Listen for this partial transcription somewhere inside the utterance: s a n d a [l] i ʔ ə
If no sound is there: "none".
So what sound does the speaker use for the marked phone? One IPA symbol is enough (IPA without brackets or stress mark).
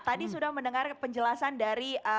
ɾ